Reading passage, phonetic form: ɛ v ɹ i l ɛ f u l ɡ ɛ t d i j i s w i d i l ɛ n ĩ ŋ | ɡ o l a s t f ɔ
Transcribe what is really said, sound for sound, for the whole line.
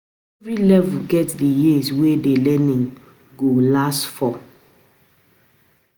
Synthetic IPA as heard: ɛ v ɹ i l ɛ v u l ɡ ɛ t d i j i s w e d e l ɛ n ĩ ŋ | ɡ o l a s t f ɔ